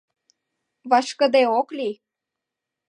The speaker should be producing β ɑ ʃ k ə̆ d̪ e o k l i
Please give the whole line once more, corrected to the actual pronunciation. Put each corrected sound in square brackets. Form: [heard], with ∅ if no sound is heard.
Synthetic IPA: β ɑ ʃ k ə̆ d̪ e o k l i